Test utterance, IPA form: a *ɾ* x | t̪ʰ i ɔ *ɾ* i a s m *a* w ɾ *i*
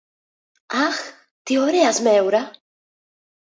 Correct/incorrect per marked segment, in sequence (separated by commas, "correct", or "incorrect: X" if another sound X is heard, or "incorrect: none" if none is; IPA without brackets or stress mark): incorrect: none, correct, incorrect: ɛ, incorrect: a